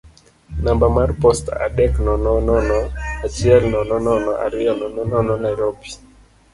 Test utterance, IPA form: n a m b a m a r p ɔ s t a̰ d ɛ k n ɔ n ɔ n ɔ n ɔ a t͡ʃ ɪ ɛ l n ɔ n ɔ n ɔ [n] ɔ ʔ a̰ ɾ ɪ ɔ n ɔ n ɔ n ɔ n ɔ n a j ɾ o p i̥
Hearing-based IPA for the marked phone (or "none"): n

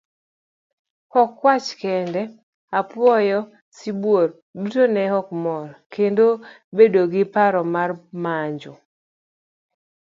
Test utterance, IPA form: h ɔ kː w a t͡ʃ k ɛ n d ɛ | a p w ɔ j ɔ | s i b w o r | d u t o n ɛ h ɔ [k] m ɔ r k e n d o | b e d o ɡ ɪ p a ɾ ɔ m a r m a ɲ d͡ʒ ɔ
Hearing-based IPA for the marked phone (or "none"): k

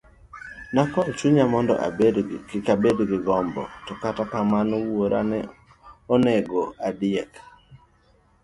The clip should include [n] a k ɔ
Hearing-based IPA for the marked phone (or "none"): n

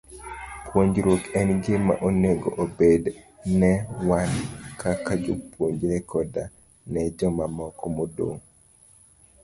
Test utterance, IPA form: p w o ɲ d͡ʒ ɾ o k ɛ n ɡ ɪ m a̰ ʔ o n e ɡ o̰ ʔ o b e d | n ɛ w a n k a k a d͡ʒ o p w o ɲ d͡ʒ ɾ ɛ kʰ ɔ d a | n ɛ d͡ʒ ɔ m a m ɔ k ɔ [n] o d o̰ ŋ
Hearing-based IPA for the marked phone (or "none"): m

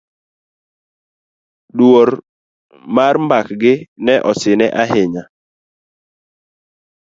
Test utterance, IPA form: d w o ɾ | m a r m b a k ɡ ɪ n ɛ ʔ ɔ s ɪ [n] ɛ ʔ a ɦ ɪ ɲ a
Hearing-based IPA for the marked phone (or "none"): n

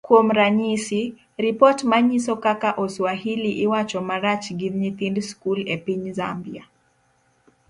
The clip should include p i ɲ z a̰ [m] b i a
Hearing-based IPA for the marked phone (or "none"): m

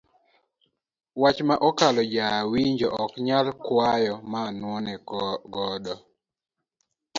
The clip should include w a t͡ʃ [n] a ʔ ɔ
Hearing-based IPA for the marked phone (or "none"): m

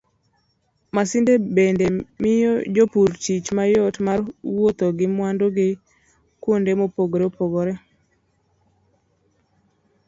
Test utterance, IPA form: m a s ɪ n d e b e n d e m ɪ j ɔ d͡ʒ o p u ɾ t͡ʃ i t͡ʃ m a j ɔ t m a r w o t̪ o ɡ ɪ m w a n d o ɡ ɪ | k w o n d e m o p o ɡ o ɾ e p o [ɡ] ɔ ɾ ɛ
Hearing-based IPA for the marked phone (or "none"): ɡ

